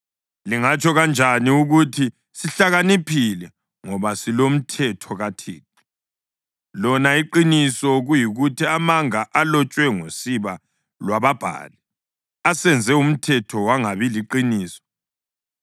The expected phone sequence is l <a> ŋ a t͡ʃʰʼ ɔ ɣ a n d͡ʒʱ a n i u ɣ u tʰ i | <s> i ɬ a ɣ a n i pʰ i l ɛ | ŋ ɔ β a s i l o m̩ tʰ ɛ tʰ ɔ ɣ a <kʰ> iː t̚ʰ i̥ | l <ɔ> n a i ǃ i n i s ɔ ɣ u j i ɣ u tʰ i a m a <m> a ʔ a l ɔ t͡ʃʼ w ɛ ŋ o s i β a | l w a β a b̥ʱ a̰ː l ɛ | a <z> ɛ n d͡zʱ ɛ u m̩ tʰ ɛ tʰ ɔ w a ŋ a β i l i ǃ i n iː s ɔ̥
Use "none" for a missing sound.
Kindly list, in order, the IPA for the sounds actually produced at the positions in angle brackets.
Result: i, s, tʰ, ɔ, ŋ, s

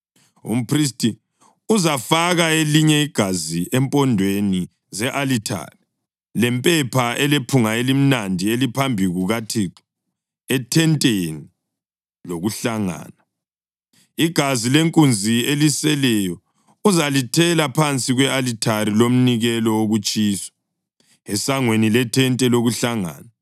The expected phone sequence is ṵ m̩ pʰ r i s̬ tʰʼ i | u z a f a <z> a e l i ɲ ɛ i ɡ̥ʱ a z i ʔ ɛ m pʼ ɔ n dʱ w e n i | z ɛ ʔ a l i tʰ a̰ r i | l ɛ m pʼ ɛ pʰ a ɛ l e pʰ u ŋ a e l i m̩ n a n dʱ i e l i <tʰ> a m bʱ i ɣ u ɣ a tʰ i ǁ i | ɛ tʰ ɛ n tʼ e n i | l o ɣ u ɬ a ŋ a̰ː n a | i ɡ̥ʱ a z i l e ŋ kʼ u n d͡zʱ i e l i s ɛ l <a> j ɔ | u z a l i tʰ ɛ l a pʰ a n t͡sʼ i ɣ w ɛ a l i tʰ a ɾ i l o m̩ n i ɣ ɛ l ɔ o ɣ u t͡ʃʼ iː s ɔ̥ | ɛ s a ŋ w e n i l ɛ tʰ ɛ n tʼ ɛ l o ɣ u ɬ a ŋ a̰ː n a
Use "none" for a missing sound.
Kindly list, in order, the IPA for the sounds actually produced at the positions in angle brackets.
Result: ɣ, pʰ, ɛ

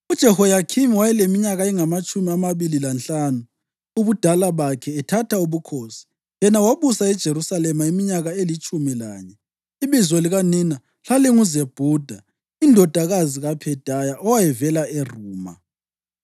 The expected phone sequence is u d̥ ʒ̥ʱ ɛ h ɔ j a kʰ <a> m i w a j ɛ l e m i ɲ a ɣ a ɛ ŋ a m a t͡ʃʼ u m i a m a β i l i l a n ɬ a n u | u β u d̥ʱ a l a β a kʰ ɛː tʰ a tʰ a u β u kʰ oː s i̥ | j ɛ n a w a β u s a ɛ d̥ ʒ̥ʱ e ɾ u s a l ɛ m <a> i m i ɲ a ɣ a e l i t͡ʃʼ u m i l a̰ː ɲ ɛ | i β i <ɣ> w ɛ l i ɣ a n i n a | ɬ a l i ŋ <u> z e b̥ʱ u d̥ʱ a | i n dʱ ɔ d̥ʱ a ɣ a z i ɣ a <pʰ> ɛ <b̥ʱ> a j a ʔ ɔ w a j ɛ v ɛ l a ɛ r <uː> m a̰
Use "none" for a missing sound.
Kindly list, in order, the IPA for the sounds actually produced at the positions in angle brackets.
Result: i, a, z, u, pʰ, d̥ʱ, uː

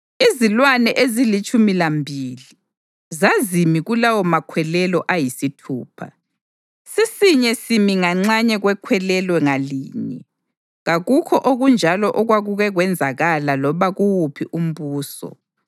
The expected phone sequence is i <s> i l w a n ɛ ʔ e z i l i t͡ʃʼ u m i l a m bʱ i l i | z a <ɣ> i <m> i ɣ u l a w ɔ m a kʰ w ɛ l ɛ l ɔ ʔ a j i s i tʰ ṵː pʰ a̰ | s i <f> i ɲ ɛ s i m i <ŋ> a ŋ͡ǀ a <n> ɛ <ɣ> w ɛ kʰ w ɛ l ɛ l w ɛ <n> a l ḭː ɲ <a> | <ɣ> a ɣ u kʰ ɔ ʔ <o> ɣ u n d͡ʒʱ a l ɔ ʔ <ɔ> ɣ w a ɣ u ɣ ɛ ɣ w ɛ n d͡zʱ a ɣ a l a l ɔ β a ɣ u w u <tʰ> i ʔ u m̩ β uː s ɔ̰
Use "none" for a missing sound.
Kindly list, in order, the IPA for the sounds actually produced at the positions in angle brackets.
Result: z, z, m, s, ŋ, ɲ, ɣ, ŋ, ɛ, ɣ, o, ɔ, pʰ

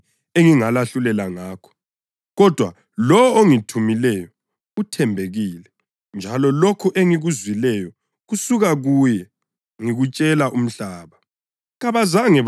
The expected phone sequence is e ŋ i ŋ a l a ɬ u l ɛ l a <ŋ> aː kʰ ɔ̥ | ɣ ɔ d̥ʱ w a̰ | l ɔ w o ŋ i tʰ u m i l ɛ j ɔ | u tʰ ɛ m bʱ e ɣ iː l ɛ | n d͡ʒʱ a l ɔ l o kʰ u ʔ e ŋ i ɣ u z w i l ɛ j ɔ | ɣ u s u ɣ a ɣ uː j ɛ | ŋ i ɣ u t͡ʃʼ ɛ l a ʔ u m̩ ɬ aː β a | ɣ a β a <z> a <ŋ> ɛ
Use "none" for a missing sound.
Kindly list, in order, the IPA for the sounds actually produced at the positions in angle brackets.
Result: ŋ, z, ŋ

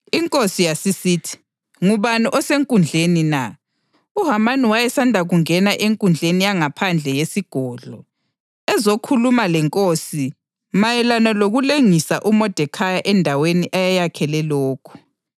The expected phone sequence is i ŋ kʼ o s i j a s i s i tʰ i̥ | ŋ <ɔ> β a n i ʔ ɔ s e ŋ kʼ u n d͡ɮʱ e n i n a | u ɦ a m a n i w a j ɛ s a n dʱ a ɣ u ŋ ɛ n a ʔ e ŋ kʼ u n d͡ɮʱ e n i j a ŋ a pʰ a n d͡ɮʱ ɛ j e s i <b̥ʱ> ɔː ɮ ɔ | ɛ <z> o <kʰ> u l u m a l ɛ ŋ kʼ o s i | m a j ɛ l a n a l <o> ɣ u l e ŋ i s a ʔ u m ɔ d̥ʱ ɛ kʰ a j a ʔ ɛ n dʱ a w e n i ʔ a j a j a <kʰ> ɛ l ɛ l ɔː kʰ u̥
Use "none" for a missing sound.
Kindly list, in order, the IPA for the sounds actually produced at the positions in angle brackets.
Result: u, ɡ̥ʱ, z, kʰ, o, kʰ

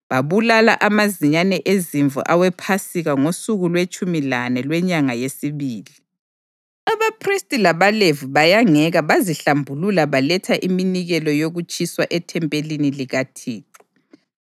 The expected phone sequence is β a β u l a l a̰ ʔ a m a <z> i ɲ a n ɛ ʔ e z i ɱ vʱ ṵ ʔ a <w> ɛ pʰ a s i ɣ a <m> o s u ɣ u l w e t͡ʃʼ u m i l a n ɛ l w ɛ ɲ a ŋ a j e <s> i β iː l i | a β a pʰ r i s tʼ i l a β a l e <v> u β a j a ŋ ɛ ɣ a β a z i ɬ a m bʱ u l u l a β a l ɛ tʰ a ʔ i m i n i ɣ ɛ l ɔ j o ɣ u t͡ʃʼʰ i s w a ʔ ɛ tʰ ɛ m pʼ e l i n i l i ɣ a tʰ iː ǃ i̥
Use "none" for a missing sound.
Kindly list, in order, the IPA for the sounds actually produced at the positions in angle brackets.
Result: z, w, ŋ, s, v

